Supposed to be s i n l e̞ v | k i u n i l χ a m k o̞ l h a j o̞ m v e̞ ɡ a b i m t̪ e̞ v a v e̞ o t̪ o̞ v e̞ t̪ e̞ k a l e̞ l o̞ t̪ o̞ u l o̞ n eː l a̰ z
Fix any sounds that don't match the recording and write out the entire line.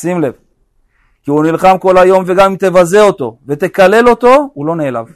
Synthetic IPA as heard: s i m l e̞ v | k i u n i l χ a m k o̞ l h a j o̞ m v e̞ ɡ a m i m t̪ e̞ v a z e̞ o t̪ o̞ v e̞ t̪ e̞ k a l e̞ l o̞ t̪ o̞ u l o̞ n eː l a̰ v